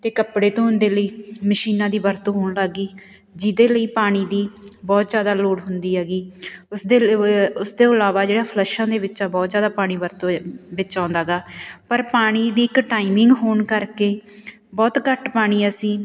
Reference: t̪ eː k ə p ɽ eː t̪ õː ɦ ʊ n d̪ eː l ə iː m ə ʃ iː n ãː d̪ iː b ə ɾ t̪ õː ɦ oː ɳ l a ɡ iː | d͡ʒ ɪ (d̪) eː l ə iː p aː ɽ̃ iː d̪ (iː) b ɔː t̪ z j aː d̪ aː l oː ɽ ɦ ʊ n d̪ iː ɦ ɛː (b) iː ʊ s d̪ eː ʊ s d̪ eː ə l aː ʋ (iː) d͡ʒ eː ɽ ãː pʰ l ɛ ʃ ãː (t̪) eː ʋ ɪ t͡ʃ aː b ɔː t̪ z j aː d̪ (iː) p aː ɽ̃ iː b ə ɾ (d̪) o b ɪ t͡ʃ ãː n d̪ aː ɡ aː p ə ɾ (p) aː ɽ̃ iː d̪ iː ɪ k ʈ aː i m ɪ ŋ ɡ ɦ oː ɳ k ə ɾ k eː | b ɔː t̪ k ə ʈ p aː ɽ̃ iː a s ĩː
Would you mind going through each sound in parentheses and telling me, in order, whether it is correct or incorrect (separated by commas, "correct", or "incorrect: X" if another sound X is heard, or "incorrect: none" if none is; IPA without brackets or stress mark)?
correct, correct, incorrect: ɡ, incorrect: aː, incorrect: d̪, incorrect: aː, incorrect: t̪, correct